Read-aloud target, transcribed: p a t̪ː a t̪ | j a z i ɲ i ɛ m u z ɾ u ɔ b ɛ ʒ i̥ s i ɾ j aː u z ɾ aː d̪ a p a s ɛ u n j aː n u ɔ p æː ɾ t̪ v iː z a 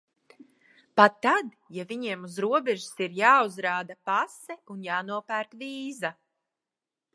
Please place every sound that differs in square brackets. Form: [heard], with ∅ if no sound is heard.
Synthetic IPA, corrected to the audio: p a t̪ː a [d̪] | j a [v] i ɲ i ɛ m u z ɾ u ɔ b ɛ ʒ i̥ s i ɾ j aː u z ɾ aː d̪ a p a s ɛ u n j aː n u ɔ p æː ɾ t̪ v iː z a